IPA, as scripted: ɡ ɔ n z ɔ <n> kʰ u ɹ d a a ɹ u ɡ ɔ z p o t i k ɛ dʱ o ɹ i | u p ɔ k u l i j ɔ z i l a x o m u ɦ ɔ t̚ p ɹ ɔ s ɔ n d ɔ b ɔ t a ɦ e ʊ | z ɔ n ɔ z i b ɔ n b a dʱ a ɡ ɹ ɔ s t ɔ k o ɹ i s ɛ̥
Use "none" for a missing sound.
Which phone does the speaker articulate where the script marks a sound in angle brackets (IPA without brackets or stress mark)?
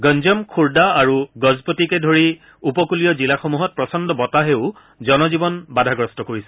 m